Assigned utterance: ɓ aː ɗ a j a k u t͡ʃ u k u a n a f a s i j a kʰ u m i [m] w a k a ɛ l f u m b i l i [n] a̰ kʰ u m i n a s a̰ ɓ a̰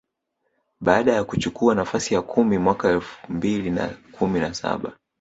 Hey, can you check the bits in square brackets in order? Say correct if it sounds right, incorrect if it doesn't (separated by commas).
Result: correct, correct